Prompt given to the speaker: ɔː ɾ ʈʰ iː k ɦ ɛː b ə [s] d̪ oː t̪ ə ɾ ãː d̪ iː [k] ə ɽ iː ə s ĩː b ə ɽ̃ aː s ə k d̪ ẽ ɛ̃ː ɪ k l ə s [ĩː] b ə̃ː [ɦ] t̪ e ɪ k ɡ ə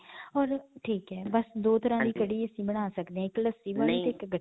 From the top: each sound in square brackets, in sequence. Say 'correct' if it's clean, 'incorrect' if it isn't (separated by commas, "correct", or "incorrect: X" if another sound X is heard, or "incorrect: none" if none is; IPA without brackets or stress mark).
correct, correct, incorrect: iː, incorrect: none